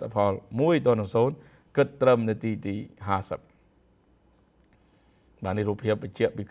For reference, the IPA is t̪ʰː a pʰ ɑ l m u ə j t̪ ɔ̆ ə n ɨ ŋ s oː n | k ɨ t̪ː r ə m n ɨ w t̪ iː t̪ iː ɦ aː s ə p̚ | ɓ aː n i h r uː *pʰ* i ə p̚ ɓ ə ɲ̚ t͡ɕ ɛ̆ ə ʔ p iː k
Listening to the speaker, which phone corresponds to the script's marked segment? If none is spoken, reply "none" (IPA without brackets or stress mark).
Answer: pʰ